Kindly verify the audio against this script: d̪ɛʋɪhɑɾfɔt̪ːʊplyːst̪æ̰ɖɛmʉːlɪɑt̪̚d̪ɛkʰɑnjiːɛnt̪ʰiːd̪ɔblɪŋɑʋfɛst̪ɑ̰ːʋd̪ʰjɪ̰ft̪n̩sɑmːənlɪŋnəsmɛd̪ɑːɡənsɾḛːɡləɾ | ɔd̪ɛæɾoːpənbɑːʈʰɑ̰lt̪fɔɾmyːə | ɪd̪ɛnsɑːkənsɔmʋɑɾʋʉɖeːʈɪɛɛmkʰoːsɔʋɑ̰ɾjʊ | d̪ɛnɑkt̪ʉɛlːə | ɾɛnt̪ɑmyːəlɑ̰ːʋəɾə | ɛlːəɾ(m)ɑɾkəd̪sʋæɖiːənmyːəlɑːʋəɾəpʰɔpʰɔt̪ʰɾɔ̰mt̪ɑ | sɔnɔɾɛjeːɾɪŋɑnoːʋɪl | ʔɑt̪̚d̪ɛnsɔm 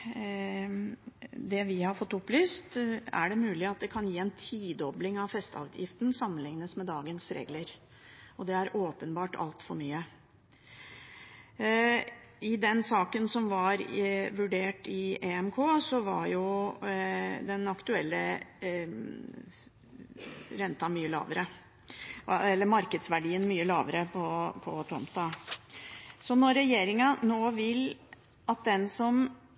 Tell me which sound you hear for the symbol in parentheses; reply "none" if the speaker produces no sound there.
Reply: m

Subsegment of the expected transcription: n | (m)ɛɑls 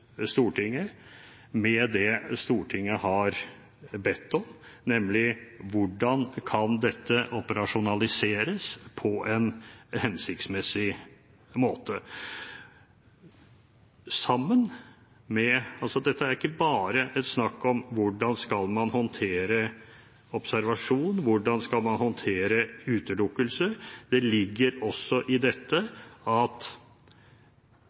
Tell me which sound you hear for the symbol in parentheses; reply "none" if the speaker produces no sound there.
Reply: m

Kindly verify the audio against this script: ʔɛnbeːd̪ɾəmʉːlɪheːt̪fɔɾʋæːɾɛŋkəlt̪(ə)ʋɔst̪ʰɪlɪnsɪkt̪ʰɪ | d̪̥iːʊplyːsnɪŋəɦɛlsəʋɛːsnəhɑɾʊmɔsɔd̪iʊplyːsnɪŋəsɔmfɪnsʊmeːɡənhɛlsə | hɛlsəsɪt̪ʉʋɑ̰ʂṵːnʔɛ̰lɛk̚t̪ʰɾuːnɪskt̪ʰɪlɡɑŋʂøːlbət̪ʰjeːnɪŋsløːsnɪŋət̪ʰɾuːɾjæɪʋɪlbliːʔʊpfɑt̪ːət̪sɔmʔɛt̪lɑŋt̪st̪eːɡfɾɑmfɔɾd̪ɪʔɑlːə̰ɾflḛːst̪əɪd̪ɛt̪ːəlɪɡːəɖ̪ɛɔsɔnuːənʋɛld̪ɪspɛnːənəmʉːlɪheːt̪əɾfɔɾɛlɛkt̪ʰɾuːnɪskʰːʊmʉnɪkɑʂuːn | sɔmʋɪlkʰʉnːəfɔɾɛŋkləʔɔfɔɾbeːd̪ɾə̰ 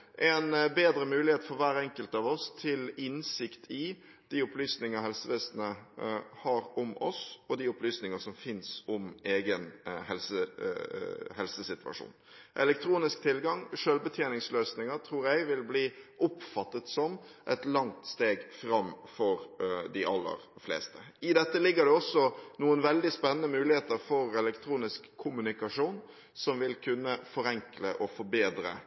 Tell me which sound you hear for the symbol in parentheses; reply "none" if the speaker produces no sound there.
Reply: ɑ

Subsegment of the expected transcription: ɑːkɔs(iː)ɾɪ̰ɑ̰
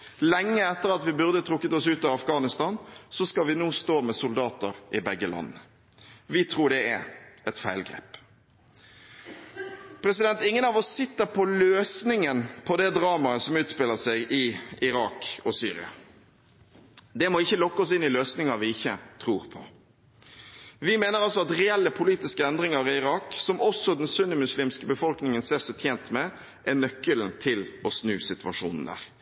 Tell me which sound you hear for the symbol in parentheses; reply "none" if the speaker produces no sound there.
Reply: yː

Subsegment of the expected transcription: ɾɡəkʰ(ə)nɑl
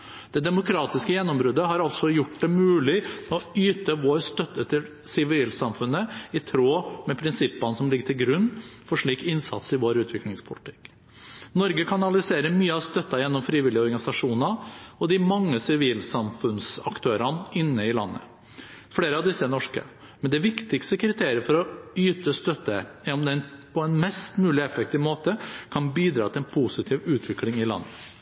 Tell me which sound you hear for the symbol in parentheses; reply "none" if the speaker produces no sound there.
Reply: ɑ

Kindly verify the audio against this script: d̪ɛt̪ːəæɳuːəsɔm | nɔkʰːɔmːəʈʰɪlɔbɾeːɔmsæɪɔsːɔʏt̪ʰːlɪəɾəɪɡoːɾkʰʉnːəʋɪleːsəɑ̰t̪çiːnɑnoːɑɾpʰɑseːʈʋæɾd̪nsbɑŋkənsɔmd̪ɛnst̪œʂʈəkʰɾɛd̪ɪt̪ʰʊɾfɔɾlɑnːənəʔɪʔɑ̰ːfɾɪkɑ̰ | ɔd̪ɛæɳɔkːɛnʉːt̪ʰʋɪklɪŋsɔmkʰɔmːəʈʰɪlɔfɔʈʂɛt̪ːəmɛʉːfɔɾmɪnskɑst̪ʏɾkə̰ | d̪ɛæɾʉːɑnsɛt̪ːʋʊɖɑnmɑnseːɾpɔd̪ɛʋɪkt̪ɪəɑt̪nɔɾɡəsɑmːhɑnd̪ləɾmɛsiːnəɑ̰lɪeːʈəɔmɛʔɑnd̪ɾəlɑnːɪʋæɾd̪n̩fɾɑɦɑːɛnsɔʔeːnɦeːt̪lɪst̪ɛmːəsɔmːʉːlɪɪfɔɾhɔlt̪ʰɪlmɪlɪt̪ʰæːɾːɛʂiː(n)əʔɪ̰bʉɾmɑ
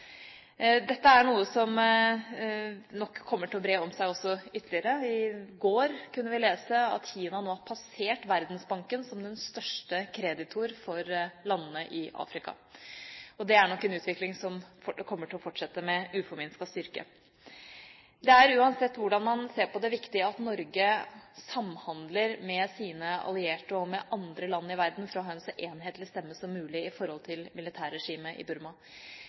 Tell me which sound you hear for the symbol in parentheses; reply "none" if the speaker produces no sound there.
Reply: m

